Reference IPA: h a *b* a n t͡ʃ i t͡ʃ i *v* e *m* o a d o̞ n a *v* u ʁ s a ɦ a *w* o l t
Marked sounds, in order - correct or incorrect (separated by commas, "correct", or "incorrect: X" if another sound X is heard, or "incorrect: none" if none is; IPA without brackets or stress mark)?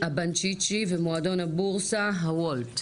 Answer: correct, correct, correct, incorrect: b, correct